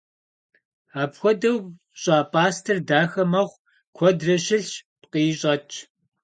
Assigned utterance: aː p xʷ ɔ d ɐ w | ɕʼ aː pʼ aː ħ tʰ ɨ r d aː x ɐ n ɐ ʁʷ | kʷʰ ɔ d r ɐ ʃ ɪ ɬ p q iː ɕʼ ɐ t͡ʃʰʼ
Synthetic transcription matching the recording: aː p xʷ ɔ d ɐ w | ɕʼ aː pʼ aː s tʰ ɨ r d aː x ɐ m ɐ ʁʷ | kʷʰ ɔ d r ɐ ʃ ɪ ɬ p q iː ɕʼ ɐ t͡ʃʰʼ